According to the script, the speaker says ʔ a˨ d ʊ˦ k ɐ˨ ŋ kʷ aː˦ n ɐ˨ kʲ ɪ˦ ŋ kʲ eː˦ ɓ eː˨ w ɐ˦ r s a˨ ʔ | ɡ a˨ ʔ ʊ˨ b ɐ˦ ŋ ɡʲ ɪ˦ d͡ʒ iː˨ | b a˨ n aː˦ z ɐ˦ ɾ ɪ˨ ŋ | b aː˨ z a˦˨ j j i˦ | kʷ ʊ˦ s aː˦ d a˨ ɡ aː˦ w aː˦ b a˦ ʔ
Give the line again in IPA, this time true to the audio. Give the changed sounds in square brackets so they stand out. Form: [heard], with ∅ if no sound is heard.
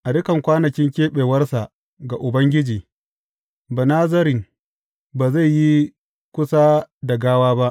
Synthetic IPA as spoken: ʔ a˨ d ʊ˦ k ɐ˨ ŋ kʷ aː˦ n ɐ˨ kʲ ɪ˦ ŋ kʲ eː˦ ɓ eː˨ w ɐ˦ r s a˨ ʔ | ɡ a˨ ʔ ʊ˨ b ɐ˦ ŋ ɡʲ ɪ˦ d͡ʒ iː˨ | b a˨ n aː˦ z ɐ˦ ɾ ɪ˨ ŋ | b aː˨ z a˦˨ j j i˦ | kʷ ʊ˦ s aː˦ d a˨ ɡ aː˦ w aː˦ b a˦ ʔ